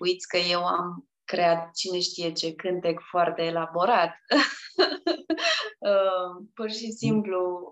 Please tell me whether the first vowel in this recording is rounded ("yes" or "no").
yes